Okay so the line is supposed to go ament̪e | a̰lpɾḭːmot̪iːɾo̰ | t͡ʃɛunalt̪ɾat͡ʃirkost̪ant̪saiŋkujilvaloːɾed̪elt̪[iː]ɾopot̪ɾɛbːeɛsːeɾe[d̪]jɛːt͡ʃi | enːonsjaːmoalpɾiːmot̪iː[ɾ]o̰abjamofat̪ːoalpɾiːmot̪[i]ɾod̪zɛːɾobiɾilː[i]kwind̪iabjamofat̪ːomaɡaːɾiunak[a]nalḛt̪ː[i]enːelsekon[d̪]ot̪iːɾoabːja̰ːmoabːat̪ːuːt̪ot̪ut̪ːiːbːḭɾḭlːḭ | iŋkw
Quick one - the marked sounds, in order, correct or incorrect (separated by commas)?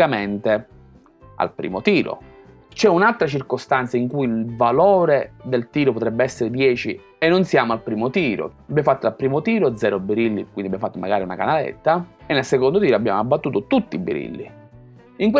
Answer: correct, correct, correct, incorrect, correct, correct, incorrect, correct